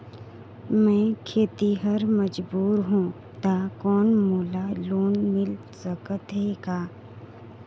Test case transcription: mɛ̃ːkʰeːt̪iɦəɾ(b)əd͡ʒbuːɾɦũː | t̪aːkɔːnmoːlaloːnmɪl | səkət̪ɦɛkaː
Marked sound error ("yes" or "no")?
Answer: yes